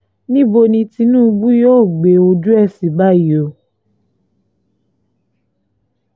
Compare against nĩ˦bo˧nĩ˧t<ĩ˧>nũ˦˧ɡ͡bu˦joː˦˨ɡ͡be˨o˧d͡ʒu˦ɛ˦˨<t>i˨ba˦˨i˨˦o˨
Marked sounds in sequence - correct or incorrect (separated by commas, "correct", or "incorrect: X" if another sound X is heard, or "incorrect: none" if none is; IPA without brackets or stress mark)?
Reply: incorrect: i˧, incorrect: s